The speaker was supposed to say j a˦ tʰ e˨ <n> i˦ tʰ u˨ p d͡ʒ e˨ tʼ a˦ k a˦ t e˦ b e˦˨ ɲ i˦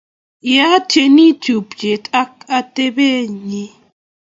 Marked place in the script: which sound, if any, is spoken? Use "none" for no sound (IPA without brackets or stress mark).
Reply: n